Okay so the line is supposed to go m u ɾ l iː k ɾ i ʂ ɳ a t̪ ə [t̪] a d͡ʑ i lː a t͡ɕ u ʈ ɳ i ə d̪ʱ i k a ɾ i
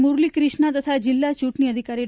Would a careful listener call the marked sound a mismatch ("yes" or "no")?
yes